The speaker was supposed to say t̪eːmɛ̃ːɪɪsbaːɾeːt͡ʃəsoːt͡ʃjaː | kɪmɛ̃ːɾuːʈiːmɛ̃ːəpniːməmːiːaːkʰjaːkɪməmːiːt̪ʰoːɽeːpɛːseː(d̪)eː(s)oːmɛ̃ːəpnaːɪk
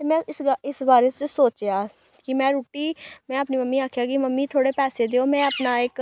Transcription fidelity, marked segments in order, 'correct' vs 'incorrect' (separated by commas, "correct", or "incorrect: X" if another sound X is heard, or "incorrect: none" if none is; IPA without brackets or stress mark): correct, incorrect: none